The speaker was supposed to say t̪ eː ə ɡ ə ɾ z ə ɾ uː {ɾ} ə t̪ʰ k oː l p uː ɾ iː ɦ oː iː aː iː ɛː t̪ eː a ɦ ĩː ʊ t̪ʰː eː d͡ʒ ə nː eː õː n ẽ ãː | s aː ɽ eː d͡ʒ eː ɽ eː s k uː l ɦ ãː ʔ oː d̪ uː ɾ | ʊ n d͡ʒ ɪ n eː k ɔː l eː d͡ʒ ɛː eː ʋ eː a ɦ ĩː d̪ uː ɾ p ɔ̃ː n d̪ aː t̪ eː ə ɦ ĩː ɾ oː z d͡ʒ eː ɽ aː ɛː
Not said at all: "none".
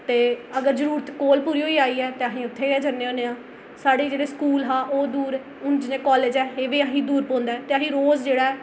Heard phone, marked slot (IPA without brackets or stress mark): ɾ